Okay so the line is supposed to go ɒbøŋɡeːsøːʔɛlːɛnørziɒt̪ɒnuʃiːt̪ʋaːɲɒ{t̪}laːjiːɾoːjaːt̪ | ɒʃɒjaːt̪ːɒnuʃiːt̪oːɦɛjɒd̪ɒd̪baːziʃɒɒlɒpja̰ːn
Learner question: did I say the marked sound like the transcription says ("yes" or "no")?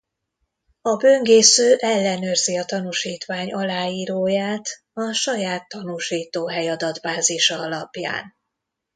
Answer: no